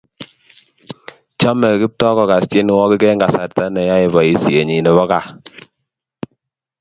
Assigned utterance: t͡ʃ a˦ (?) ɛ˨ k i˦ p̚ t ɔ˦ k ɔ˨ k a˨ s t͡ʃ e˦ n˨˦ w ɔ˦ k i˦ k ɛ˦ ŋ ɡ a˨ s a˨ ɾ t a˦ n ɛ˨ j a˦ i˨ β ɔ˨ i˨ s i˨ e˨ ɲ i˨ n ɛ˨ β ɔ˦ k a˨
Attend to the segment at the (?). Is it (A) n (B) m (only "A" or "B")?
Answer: B